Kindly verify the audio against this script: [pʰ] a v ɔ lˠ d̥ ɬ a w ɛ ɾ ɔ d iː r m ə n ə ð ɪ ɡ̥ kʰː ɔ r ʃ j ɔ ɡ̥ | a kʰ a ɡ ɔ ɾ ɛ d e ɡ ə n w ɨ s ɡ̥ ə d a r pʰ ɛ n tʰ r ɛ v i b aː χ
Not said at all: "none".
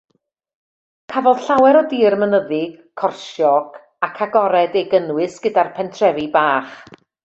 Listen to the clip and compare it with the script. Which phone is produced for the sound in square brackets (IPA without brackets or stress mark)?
kʰ